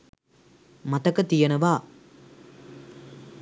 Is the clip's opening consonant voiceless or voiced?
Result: voiced